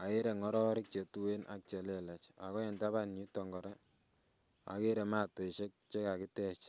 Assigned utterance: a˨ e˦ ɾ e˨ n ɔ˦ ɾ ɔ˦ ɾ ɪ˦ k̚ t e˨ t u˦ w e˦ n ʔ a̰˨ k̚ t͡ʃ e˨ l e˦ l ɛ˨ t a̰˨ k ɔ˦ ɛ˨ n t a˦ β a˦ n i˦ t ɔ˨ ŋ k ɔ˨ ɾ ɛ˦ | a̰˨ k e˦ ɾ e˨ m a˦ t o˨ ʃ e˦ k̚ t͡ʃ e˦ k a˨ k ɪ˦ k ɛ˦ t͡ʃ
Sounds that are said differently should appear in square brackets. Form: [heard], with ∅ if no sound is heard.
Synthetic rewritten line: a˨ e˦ ɾ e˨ [ŋ] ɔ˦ ɾ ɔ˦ ɾ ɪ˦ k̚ [t͡ʃ] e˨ t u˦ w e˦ n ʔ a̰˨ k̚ t͡ʃ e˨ l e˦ l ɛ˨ [t͡ʃ] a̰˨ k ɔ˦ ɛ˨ n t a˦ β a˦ n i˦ t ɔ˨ ŋ [ɡ] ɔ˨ ɾ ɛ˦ | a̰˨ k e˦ ɾ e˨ m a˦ t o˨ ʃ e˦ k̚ t͡ʃ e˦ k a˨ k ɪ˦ [t] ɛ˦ t͡ʃ